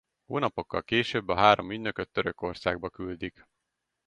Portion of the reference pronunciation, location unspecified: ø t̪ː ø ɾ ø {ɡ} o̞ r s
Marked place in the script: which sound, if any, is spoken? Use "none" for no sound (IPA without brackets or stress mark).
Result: k